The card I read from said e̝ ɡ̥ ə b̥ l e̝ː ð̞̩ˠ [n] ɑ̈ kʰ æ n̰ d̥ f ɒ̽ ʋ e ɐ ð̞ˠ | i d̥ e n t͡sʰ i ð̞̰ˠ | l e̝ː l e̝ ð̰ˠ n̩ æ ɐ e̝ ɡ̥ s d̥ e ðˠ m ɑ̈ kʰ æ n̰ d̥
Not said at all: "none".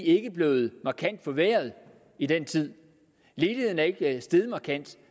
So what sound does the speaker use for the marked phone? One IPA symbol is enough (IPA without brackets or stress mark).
m